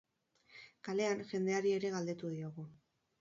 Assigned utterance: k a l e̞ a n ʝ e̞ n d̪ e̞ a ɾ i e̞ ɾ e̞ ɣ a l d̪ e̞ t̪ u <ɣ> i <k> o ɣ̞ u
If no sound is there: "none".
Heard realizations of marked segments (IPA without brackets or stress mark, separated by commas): ð, none